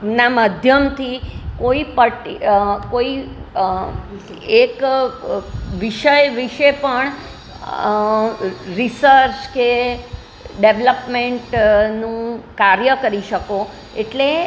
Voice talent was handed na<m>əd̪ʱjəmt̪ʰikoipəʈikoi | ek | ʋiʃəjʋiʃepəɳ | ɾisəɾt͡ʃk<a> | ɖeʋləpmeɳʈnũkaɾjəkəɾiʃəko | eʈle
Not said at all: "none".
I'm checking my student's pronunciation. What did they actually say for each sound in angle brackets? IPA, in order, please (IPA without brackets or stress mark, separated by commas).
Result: m, e